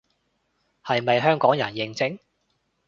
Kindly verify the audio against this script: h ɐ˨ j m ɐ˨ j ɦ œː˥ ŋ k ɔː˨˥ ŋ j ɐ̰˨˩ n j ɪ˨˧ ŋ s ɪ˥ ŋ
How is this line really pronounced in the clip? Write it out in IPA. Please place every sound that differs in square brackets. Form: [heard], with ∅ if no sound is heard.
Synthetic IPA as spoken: h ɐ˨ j m ɐ˨ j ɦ œː˥ ŋ k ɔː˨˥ ŋ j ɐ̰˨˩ n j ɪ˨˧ ŋ [t͡s] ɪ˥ ŋ